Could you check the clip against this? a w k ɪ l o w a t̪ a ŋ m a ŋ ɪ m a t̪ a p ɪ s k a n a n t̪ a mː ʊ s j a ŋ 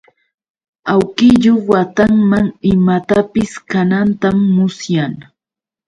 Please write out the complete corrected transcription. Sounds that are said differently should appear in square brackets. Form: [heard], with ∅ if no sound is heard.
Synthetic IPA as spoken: a w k ɪ [ʎ] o w a t̪ a ŋ m a ŋ ɪ m a t̪ a p ɪ s k a n a n t̪ a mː ʊ s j a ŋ